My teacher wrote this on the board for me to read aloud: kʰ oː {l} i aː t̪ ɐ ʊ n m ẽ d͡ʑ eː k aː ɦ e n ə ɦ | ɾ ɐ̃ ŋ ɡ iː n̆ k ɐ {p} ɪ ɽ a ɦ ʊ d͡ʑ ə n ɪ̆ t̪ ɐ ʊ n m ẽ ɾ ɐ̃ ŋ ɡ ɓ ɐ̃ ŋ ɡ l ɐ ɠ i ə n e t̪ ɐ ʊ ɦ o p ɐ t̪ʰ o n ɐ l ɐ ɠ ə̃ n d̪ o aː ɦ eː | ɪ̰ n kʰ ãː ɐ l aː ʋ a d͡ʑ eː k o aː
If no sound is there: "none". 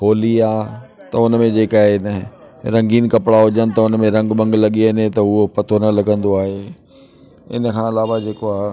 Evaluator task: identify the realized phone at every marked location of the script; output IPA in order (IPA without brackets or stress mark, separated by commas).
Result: l, p